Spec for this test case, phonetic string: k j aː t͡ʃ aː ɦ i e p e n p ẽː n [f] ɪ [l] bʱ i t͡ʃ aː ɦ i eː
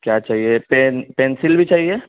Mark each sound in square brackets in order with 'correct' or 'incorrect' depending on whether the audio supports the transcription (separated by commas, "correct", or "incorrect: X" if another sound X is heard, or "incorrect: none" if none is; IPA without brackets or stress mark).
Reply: incorrect: s, correct